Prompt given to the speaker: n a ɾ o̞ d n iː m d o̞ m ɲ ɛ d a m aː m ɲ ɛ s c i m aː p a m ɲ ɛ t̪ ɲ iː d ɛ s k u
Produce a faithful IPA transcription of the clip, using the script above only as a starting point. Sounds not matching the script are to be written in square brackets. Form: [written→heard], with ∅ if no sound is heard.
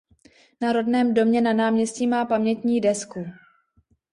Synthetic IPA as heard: n a ɾ o̞ d n [iː→ɛː] m d o̞ m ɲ ɛ [d→n] a [m→n] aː m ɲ ɛ s c i m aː p a m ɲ ɛ t̪ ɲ iː d ɛ s k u